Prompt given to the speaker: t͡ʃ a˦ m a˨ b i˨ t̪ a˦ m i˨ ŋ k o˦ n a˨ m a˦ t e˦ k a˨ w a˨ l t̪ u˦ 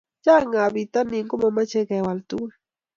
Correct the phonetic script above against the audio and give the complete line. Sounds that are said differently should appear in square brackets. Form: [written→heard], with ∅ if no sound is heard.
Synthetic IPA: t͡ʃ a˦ [m→ŋ] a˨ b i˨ t̪ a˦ [m→n] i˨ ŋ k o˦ [n→m] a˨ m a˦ [t→t͡ʃ] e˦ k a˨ w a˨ l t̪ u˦

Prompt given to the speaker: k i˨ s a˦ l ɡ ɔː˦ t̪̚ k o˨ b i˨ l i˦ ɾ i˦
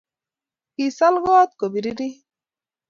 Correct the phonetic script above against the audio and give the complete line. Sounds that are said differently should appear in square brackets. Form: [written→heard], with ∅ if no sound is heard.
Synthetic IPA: k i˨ s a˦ l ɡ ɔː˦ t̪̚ k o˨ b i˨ [l→ɾ] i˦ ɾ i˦

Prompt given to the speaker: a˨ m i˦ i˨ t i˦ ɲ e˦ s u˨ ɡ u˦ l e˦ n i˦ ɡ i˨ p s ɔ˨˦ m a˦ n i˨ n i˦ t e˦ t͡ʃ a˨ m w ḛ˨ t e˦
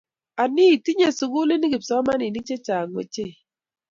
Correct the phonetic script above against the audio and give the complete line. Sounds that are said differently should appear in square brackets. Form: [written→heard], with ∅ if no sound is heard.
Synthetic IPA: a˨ [m→n] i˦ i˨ t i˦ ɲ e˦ s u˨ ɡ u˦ l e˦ n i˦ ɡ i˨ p s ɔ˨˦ m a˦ n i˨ n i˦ [t→t͡ʃ] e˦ t͡ʃ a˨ [m→ŋ] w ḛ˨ [t→t͡ʃ] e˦

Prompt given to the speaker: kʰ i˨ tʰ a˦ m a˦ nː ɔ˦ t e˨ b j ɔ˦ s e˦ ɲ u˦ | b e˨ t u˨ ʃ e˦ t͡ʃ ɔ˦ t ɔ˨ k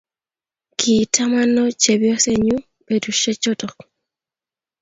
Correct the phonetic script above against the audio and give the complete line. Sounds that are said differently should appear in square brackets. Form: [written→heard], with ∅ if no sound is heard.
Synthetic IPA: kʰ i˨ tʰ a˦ m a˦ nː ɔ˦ [t→t͡ʃ] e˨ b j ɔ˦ s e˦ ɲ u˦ | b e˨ [t→d] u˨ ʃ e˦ t͡ʃ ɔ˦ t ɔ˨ k

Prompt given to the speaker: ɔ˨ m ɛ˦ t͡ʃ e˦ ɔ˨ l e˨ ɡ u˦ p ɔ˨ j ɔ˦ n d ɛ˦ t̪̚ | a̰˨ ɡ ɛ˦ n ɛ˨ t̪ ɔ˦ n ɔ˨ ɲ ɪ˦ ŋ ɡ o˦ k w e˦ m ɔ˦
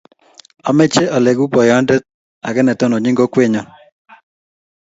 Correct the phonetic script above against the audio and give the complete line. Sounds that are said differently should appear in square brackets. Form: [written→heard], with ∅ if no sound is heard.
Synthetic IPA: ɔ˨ m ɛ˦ t͡ʃ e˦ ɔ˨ l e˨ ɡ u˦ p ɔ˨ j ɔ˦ n d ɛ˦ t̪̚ | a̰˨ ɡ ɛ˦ n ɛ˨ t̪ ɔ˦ n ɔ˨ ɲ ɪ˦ ŋ ɡ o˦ k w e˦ [m→ɲ] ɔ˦

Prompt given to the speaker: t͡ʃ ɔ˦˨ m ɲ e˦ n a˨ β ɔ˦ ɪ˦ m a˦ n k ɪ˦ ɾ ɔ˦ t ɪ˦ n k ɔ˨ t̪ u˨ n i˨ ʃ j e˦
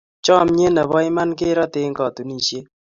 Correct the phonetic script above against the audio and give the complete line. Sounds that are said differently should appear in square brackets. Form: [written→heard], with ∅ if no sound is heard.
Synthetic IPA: t͡ʃ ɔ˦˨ m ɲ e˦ n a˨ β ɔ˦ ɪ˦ m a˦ n k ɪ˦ ɾ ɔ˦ t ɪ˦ [n→ŋ] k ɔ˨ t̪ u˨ n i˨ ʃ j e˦

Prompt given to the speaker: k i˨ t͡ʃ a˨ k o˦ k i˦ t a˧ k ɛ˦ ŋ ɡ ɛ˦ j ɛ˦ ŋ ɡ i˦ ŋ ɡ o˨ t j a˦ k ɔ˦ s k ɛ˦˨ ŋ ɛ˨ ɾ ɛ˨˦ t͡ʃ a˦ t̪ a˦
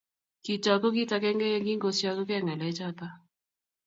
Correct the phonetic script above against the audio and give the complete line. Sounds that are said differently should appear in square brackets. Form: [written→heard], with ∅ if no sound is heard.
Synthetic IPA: k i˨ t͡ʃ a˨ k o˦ k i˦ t a˧ k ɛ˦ ŋ ɡ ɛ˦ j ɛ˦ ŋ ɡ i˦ ŋ ɡ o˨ [t→s] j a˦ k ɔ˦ [s→∅] k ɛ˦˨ ŋ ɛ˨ [ɾ→l] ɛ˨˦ t͡ʃ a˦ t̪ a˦

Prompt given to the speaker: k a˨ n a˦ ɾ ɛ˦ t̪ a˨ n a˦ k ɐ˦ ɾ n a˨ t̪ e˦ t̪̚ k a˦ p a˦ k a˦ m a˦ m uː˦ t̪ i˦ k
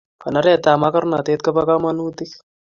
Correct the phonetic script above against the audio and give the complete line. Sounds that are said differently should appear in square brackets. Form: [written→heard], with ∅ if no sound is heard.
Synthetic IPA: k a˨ n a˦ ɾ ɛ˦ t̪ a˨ [n→m] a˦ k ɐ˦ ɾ n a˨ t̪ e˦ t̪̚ k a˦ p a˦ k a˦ m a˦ [m→n] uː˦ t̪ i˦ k

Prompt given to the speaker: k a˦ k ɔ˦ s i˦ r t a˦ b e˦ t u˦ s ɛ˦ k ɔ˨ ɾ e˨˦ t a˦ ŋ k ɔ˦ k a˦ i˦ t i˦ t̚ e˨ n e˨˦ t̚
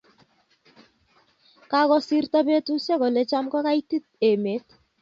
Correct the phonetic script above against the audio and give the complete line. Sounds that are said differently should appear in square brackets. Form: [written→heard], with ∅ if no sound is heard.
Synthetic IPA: k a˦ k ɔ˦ s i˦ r t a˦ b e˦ t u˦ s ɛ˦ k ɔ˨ [ɾ→l] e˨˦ [t→t͡ʃ] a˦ [ŋ→m] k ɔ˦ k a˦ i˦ t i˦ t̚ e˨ [n→m] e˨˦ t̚

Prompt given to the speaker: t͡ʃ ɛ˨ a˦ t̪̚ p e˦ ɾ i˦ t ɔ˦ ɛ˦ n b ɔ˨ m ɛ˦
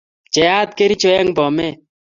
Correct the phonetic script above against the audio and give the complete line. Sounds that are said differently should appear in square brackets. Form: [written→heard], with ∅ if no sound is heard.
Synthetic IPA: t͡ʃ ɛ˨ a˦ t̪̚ [p→k] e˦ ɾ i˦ [t→t͡ʃ] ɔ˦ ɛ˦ [n→ŋ] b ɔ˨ m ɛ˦

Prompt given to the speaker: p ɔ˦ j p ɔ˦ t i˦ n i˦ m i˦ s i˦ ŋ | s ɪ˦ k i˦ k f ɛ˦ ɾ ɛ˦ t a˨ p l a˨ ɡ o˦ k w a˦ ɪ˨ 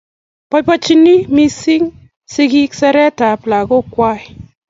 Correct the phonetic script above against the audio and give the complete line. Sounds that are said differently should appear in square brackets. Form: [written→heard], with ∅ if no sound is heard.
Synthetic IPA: p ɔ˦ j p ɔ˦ [t→t͡ʃ] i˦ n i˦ m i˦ s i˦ ŋ | s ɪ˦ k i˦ k [f→s] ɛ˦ ɾ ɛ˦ t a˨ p l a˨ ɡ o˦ k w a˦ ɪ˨

